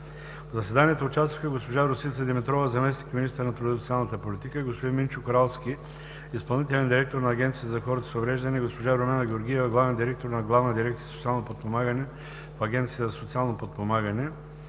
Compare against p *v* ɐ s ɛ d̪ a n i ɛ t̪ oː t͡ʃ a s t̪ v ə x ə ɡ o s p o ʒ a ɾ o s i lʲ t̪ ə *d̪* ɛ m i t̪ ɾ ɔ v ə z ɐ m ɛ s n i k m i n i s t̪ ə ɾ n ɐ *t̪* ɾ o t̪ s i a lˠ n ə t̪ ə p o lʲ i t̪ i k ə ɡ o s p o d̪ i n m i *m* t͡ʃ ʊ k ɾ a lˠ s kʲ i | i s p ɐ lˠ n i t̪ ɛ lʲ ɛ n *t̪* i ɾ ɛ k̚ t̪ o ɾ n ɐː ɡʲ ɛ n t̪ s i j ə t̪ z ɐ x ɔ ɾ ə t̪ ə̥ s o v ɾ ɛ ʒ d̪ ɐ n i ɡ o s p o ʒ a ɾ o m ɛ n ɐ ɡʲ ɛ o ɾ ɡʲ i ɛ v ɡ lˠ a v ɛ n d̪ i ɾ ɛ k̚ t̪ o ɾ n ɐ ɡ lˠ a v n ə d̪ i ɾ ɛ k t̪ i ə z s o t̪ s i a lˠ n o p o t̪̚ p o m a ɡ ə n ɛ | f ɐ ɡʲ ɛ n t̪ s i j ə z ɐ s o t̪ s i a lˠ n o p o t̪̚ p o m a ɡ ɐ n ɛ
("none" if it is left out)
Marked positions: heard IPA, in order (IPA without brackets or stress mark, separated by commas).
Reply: z, d̪, t̪, n, d̪